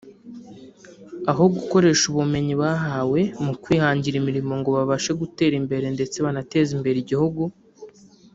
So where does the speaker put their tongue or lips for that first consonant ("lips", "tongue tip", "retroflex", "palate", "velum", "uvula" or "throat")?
throat